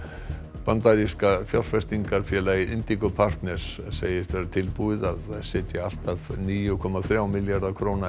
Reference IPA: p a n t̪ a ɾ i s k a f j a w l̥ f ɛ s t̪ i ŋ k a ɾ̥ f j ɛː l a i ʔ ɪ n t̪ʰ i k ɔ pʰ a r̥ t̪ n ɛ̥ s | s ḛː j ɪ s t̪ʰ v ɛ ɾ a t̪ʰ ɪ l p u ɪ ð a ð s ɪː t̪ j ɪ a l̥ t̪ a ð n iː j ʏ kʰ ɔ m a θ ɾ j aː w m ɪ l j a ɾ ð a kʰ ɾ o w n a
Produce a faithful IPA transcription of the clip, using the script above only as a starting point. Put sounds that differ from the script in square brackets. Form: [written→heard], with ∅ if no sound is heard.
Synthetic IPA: p a n t̪ a ɾ i s k a f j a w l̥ f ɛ s t̪ i ŋ k a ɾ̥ f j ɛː l a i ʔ ɪ n [t̪ʰ→t̪] i k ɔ pʰ a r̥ t̪ n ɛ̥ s | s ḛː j ɪ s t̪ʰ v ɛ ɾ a t̪ʰ ɪ l p u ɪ ð a ð s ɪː t̪ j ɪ a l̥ t̪ a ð n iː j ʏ kʰ ɔ m a θ ɾ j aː w m ɪ l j a ɾ ð a kʰ ɾ o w n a